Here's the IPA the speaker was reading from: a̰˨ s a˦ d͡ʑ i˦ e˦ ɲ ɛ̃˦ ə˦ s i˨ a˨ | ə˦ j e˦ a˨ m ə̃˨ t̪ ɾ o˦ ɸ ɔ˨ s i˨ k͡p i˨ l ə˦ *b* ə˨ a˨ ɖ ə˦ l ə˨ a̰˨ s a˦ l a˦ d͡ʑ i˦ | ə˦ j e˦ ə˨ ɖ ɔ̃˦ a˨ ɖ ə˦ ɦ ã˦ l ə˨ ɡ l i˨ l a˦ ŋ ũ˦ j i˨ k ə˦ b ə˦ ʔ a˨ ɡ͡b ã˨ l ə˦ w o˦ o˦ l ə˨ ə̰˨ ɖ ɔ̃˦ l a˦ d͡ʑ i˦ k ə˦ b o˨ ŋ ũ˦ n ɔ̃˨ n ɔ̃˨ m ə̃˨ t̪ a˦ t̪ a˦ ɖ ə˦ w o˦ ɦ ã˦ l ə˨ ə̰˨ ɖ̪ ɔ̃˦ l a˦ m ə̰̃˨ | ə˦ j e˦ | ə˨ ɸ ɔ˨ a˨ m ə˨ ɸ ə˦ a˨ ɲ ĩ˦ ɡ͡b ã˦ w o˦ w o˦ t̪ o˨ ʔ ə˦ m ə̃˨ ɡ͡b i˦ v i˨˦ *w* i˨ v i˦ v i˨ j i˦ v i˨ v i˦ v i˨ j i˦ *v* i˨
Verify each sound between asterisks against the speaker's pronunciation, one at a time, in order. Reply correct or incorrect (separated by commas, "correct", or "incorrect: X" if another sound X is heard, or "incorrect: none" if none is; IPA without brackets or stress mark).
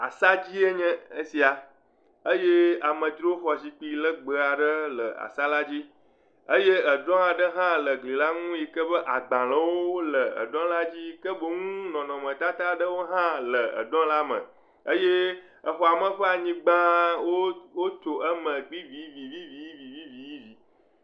incorrect: ɡ͡b, incorrect: v, correct